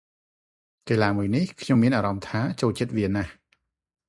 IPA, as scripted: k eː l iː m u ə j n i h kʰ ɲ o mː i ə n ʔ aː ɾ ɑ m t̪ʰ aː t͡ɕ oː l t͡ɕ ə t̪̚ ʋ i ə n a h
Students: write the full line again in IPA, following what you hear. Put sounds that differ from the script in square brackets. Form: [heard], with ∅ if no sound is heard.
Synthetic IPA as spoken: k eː l [aː] m u ə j n i h kʰ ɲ o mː i ə n ʔ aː ɾ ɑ m t̪ʰ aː t͡ɕ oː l t͡ɕ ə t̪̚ ʋ i ə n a h